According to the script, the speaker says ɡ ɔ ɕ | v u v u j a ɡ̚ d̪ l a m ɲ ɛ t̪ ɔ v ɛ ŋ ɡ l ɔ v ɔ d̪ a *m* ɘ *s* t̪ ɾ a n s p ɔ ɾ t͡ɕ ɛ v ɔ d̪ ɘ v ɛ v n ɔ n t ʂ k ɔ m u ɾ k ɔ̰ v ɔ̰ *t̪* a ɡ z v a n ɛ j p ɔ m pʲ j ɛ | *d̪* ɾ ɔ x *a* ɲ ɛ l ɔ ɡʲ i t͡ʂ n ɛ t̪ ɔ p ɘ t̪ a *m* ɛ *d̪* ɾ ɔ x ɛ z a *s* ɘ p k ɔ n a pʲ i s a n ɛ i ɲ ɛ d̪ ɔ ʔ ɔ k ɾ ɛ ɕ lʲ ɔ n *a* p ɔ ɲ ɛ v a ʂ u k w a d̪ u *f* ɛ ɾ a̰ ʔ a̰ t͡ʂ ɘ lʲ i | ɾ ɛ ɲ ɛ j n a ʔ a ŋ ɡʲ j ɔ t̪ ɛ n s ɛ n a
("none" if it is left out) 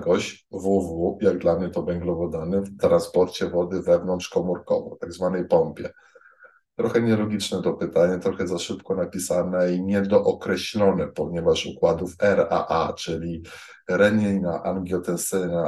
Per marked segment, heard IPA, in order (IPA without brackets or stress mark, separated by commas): n, f, t̪, t̪, ɛ, ɲ, t̪, ʂ, ɛ, f